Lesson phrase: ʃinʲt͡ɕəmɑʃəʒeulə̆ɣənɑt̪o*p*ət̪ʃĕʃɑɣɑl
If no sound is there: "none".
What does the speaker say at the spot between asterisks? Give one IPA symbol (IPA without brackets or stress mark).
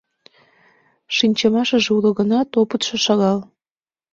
p